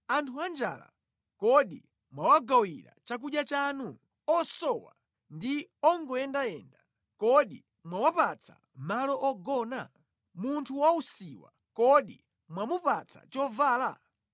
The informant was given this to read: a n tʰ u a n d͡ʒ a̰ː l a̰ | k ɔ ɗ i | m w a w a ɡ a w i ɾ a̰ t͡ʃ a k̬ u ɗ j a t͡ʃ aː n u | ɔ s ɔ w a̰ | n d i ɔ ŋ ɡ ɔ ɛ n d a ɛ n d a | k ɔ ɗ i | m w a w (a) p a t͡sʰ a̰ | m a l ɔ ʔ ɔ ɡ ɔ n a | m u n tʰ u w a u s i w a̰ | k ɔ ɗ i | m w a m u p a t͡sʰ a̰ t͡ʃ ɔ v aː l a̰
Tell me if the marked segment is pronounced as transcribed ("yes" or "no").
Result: yes